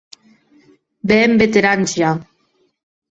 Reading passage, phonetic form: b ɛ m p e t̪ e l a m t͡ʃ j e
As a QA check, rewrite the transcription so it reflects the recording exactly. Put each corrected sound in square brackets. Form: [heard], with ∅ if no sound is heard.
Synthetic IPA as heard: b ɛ m [b] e t̪ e [ɾ] a [n] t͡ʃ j [a]